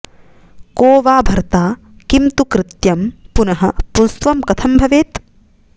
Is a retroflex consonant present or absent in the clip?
absent